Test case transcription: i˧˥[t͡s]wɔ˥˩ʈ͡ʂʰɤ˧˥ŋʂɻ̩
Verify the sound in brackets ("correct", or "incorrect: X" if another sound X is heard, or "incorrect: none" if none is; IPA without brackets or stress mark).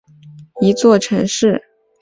correct